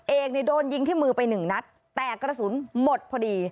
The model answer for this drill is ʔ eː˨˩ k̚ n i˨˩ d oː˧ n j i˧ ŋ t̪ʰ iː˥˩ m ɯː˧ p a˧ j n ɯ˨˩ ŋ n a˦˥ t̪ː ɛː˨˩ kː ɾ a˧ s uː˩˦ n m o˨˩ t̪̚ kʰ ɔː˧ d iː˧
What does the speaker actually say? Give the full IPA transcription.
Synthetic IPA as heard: ʔ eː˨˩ k̚ n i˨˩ d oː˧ n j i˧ ŋ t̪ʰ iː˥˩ m ɯː˧ p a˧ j n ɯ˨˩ ŋ n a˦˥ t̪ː ɛː˨˩ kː ɾ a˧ s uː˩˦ n m o˨˩ t̪̚ pʰ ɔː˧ d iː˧